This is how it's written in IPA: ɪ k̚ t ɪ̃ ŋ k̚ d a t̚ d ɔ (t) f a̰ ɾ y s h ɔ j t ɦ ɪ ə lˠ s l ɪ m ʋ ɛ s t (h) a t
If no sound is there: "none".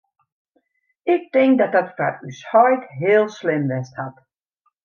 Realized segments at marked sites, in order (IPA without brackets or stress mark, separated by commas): t, h